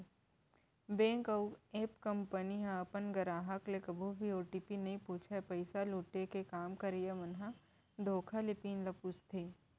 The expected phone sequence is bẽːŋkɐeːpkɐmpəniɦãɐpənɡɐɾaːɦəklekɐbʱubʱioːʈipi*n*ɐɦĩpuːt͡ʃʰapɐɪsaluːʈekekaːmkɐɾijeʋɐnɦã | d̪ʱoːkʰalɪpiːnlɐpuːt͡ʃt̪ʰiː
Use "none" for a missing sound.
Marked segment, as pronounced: n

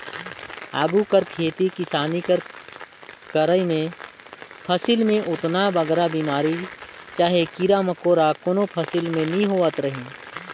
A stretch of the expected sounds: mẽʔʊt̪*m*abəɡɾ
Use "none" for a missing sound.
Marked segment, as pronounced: n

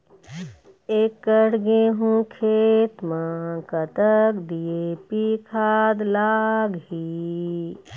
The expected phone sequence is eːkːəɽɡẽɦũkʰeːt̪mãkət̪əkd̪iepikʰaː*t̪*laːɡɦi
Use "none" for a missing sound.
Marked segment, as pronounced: d̪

